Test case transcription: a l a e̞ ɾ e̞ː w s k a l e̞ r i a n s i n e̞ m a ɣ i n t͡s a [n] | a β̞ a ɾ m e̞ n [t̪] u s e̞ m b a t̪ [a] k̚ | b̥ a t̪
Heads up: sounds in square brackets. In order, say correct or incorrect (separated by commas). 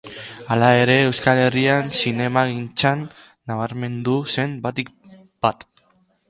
incorrect, incorrect, incorrect